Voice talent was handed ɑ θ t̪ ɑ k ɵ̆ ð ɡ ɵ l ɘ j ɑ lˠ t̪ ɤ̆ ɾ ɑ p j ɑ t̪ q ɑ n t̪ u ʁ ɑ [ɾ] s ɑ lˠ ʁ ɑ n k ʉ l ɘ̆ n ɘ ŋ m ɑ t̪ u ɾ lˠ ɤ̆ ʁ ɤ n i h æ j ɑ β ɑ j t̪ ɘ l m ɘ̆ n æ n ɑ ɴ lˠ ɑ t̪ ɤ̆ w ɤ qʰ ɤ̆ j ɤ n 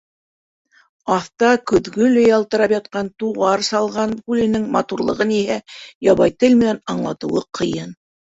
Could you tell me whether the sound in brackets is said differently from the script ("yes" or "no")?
no